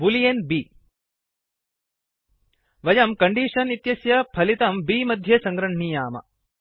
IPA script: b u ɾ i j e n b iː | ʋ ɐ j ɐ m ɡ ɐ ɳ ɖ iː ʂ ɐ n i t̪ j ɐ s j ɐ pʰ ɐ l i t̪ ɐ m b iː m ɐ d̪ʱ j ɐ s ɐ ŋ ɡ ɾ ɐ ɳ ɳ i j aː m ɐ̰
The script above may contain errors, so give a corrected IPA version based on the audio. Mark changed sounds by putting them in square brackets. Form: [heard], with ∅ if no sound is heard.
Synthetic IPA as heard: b u [l] i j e n b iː | ʋ ɐ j ɐ m [k] ɐ ɳ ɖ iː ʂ ɐ n i t̪ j ɐ s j ɐ pʰ ɐ l i t̪ ɐ m b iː m ɐ d̪ʱ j ɐ s ɐ ŋ ɡ ɾ ɐ ɳ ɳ i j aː m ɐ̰

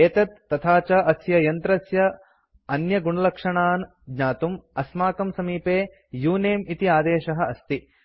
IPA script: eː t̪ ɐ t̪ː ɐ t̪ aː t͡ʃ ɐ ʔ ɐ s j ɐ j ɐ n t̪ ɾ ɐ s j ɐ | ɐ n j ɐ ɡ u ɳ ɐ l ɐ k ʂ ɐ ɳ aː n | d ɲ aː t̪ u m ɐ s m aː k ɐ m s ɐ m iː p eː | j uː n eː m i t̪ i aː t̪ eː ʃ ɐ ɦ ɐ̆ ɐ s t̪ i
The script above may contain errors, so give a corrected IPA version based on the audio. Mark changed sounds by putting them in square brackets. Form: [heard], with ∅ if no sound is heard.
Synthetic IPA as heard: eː t̪ ɐ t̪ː ɐ [t̪ʰ] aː t͡ʃ ɐ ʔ ɐ s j ɐ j ɐ n t̪ ɾ ɐ s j ɐ | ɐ n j ɐ ɡ u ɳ ɐ l ɐ k ʂ ɐ ɳ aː n | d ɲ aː t̪ u m ɐ s m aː k ɐ m s ɐ m iː p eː | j uː n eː m i t̪ i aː [d̪] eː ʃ ɐ ɦ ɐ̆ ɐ s t̪ i

